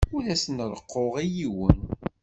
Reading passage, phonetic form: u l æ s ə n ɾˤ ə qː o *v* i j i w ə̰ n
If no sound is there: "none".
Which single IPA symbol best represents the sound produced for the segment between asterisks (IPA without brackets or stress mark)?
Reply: ʁ